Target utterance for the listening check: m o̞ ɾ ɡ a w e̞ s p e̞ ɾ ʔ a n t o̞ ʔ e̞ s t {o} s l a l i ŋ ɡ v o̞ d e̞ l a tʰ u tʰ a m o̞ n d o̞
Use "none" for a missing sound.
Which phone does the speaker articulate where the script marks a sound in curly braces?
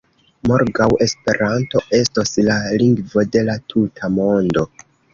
o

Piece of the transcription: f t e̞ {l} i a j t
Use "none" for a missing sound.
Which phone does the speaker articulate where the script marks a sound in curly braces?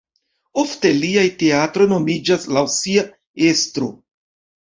l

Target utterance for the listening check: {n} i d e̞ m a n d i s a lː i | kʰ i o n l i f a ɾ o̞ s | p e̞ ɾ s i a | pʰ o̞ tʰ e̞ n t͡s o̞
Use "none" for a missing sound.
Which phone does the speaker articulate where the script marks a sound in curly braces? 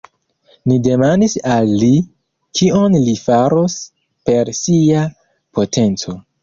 n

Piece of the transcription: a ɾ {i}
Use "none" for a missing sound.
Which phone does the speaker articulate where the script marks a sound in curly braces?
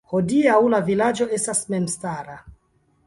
a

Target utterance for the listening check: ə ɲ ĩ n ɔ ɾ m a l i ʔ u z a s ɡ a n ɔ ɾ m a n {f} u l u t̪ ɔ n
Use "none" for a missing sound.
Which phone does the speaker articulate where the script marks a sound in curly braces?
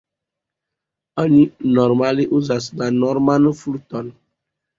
f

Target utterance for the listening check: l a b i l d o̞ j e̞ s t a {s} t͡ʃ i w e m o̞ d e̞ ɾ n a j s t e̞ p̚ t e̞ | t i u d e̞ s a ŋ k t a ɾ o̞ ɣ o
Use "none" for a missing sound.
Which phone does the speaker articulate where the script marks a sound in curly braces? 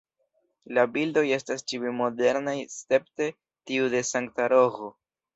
s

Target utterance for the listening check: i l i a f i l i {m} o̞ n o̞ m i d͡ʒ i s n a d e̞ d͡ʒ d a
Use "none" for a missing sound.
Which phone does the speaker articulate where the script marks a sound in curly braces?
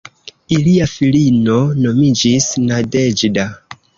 n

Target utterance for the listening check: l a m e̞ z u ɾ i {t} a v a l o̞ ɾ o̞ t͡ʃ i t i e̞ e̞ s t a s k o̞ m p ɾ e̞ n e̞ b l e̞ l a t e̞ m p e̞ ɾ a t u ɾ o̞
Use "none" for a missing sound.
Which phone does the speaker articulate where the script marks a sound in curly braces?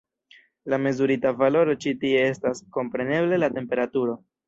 t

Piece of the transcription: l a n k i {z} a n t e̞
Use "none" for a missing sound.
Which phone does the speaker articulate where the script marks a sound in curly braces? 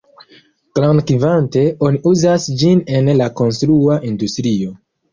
v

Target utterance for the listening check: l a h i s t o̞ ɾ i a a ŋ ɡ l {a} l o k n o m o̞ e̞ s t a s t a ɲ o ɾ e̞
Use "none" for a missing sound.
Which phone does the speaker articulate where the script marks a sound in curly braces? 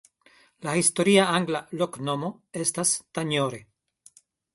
a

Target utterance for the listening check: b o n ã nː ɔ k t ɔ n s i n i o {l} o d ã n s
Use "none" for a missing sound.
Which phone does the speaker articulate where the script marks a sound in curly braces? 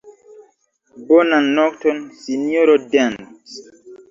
ɾ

